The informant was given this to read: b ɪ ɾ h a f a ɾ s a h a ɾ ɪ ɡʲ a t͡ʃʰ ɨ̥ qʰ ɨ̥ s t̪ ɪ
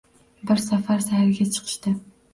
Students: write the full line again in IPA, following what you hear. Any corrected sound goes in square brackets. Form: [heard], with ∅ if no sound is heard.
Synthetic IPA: b ɪ ɾ [s] a f a ɾ s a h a ɾ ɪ ɡʲ a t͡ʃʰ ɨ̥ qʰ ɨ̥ [ʃ] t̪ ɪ

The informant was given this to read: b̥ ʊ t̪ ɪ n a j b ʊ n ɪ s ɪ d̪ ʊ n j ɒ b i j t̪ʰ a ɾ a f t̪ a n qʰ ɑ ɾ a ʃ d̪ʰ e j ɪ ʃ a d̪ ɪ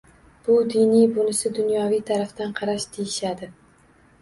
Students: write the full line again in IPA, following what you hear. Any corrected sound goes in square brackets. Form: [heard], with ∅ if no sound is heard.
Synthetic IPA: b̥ ʊ [d̪] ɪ n [i] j b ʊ n ɪ s ɪ d̪ ʊ n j ɒ [v] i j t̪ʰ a ɾ a f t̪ a n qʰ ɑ ɾ a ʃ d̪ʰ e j ɪ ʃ a d̪ ɪ

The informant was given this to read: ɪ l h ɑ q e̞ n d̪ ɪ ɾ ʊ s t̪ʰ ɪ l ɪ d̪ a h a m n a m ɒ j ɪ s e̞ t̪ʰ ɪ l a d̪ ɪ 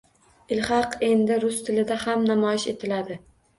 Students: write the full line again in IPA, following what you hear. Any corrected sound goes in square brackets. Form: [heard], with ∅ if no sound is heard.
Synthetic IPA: ɪ l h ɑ q e̞ n d̪ ɪ ɾ ʊ s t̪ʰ ɪ l ɪ d̪ a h a m n a m ɒ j ɪ [ʃ] e̞ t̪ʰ ɪ l a d̪ ɪ

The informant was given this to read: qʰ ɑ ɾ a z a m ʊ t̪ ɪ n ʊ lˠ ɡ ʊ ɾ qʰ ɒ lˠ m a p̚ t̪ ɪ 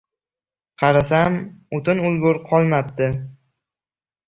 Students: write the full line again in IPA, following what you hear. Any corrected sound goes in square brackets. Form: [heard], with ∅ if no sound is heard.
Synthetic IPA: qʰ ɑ ɾ a [s] a m ʊ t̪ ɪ n ʊ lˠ ɡ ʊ ɾ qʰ ɒ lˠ m a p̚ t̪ ɪ

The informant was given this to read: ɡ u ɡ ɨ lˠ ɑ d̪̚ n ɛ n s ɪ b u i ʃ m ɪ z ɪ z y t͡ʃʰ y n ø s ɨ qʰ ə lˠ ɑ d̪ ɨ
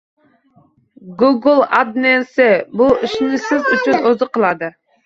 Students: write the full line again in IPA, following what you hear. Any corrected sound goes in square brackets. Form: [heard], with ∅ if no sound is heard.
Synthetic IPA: ɡ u ɡ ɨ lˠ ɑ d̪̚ n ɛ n s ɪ b u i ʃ [n] ɪ [s] ɪ z y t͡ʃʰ y n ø [z] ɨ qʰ ə lˠ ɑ d̪ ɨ

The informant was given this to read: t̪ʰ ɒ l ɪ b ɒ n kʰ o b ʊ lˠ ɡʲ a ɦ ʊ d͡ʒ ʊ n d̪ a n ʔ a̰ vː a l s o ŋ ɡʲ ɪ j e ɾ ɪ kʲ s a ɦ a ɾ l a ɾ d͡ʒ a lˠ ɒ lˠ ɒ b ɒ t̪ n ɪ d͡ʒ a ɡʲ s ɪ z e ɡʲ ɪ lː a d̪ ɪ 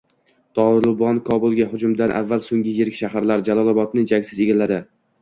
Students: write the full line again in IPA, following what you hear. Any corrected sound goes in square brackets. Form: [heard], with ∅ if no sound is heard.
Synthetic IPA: t̪ʰ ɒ l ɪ b ɒ n kʰ [ɒ] b ʊ lˠ ɡʲ a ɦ ʊ d͡ʒ ʊ [m] d̪ a n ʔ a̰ vː a l s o ŋ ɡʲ ɪ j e ɾ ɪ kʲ [ʃ] a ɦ a ɾ l a ɾ d͡ʒ a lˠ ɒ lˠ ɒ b ɒ t̪ n ɪ d͡ʒ a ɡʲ s ɪ z e ɡʲ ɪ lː a d̪ ɪ

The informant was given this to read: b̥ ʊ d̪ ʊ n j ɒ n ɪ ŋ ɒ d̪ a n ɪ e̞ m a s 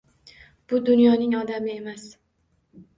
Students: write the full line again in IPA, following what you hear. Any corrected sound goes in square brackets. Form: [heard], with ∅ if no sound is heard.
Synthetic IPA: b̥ ʊ d̪ ʊ n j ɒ n ɪ ŋ ɒ d̪ a [m] ɪ e̞ m a s

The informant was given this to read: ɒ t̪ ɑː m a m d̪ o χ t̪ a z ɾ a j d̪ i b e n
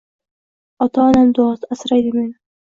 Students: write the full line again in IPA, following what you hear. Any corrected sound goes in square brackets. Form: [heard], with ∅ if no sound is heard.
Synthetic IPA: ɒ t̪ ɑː [n] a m d̪ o [s] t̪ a [s] ɾ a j d̪ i [m] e n

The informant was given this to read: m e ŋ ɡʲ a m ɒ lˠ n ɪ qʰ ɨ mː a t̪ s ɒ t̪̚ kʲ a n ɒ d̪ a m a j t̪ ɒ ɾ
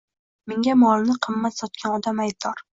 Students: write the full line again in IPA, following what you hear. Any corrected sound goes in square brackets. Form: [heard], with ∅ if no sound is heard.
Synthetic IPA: m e ŋ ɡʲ a m ɒ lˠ n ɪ qʰ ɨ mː a t̪ s ɒ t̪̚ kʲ a n ɒ d̪ a m a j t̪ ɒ ɾ

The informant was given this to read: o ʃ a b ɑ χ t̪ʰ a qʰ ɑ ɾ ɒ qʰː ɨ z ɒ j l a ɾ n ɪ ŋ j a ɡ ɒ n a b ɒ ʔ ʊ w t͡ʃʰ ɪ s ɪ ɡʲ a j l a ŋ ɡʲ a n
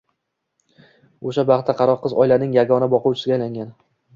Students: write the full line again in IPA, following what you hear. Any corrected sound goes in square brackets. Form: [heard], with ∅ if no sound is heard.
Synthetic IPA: o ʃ a b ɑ χ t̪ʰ a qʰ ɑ ɾ ɒ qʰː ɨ z ɒ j l a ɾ n ɪ ŋ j a ɡ ɒ n a b ɒ [q] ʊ w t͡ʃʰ ɪ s ɪ ɡʲ a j l a ŋ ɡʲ a n

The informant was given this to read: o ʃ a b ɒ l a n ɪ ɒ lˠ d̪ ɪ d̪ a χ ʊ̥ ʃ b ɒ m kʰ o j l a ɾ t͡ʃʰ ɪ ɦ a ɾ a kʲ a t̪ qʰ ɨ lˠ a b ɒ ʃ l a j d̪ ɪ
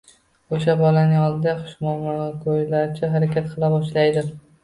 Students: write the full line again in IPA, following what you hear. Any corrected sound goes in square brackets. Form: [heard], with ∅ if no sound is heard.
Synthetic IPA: o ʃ a b ɒ l a n ɪ ɒ lˠ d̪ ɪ d̪ a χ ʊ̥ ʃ [m] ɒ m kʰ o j l a ɾ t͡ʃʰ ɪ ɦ a ɾ a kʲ a t̪ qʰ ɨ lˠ a b ɒ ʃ l a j d̪ ɪ

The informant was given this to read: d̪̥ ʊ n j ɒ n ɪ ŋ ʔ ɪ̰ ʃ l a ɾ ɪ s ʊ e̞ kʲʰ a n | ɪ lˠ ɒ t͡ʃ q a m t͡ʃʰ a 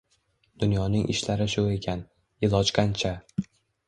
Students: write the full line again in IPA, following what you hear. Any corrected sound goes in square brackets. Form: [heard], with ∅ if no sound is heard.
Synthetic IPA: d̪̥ ʊ n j ɒ n ɪ ŋ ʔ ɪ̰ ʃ l a ɾ ɪ [ʃ] ʊ e̞ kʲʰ a n | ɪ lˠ ɒ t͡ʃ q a [n] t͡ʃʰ a

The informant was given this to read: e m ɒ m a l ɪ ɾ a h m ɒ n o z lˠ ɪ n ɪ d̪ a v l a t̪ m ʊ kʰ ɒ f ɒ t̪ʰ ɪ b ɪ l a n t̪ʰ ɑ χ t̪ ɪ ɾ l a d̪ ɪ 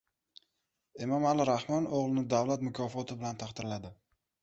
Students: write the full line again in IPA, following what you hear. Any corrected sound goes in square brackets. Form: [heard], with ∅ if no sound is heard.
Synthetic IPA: e m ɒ m a l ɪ ɾ a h m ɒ n o [ʁ] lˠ ɪ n ɪ d̪ a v l a t̪ m ʊ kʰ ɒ f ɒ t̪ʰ ɪ b ɪ l a n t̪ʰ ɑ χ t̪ ɪ ɾ l a d̪ ɪ

